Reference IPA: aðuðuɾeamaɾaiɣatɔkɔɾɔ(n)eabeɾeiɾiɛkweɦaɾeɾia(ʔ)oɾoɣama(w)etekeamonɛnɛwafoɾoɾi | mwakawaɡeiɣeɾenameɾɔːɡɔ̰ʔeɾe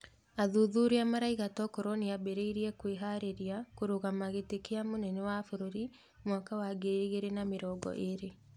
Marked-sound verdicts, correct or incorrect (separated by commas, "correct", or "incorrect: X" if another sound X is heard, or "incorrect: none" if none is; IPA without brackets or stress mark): correct, incorrect: k, incorrect: ɣ